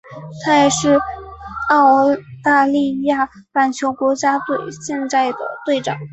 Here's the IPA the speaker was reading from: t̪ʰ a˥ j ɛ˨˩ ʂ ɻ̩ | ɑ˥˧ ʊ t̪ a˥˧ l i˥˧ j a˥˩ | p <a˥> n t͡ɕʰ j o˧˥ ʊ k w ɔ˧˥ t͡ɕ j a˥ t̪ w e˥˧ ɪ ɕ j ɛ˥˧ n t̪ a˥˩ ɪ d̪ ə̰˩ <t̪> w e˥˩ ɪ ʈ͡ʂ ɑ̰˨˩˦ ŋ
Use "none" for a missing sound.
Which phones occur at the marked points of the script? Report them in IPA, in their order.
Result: a˨˩, t̪

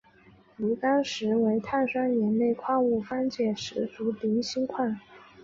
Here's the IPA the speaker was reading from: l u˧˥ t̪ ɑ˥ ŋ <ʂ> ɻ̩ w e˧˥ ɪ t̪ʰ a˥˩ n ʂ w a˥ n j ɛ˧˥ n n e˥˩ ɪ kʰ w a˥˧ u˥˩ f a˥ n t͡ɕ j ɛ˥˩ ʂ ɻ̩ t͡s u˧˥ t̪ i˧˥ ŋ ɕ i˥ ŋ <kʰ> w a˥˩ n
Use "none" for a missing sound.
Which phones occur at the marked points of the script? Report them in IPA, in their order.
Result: ʂ, kʰ

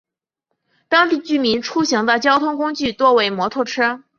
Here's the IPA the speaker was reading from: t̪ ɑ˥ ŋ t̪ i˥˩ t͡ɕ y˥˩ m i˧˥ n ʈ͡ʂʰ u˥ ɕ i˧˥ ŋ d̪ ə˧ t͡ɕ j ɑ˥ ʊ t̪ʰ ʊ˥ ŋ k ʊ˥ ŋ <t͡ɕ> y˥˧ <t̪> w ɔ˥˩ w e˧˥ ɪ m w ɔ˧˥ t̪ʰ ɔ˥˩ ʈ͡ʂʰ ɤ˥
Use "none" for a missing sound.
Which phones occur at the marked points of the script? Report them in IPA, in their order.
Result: t͡ɕ, t̪

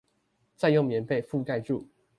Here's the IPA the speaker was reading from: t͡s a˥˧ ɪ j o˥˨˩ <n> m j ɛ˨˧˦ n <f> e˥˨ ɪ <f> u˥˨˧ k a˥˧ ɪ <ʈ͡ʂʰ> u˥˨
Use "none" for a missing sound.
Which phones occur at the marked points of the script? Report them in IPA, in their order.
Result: ŋ, f, f, ʈ͡ʂ

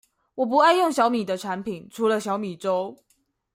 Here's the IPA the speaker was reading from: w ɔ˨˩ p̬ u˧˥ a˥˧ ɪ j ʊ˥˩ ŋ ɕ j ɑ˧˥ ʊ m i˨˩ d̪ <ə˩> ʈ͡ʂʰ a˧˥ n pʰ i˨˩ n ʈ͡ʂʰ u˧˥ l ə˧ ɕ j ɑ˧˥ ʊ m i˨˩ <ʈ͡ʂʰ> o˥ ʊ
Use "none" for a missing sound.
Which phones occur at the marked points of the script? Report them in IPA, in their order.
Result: ə˦, ʈ͡ʂ

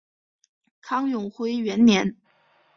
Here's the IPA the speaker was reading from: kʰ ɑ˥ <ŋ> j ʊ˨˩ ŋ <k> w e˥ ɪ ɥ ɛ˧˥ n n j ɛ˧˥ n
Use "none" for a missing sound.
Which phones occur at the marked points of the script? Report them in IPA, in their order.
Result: ŋ, x

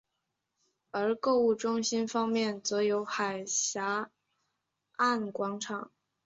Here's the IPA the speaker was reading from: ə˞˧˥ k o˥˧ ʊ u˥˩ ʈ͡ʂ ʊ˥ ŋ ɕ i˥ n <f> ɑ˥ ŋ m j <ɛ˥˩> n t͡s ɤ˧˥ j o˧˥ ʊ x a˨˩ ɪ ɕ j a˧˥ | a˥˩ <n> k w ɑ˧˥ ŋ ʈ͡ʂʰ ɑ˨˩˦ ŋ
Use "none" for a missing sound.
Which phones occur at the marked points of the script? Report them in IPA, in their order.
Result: f, ɛ˥˩, n

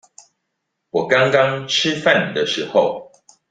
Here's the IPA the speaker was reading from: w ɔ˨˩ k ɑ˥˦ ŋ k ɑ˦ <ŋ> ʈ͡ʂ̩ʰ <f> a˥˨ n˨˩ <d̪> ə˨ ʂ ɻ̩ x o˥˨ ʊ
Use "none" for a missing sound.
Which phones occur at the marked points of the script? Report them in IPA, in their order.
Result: ŋ, f, d̪

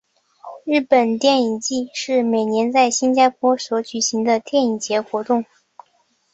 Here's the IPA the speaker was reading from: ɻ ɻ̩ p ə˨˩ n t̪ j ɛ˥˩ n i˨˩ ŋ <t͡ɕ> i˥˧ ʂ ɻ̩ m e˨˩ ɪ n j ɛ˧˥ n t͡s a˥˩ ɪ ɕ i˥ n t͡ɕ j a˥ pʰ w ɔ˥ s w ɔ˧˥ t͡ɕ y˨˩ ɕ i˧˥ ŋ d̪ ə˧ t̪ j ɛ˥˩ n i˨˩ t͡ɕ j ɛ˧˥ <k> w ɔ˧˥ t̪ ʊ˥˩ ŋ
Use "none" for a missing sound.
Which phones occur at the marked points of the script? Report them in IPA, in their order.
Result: t͡ɕ, x

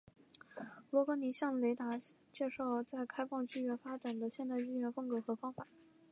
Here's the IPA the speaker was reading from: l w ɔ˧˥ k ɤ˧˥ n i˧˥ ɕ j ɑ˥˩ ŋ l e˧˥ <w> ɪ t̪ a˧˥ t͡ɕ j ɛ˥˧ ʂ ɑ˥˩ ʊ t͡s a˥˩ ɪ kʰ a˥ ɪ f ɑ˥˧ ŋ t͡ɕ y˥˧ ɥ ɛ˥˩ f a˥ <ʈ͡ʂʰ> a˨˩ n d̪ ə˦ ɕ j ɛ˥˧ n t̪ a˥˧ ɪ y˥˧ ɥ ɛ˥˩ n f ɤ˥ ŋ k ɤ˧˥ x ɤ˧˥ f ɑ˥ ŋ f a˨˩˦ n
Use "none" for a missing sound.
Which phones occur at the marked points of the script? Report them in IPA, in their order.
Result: none, ʈ͡ʂ

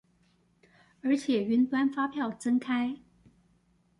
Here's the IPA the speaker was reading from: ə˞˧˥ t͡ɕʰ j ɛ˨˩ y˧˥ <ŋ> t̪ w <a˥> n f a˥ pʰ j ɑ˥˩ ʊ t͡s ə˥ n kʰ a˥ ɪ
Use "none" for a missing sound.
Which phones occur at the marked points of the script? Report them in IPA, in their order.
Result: n, a˥

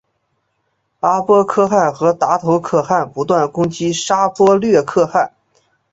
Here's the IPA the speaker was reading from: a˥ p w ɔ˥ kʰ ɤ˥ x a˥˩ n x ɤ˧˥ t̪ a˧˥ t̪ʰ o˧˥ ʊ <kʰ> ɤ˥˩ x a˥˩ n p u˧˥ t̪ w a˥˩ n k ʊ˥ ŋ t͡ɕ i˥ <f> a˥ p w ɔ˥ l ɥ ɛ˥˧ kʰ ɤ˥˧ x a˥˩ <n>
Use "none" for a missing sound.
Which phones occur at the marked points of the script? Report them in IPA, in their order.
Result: kʰ, ʂ, n

